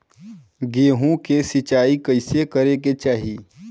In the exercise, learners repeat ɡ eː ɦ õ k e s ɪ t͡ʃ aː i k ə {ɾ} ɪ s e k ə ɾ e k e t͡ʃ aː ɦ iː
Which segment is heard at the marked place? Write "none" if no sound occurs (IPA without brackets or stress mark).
none